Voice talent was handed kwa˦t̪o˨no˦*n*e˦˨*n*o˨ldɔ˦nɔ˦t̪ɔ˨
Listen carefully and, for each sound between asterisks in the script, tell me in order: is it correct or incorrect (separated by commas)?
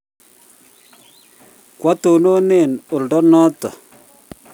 correct, correct